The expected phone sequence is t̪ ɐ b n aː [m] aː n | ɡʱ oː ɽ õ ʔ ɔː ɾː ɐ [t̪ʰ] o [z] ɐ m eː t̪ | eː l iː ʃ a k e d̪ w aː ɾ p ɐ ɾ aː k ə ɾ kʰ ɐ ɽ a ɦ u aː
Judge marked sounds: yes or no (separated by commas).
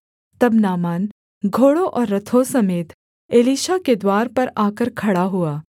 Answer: yes, yes, no